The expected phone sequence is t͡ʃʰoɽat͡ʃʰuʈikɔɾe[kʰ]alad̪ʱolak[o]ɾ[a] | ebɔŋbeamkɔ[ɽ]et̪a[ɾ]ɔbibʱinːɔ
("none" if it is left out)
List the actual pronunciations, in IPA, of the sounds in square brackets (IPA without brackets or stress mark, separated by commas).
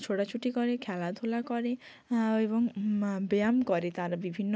kʰ, ɔ, e, ɾ, ɾ